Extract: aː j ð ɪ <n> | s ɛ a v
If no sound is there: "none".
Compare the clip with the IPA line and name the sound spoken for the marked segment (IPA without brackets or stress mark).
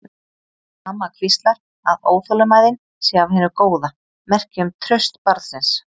n